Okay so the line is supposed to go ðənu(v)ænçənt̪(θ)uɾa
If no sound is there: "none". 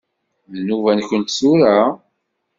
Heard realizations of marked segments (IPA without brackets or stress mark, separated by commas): v, s